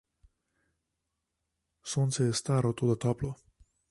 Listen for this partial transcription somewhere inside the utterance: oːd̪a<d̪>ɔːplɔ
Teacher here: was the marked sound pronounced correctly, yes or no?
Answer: no